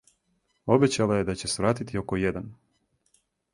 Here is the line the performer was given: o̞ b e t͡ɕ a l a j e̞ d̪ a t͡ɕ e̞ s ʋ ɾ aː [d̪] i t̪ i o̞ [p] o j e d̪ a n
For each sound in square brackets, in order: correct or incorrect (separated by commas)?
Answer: incorrect, incorrect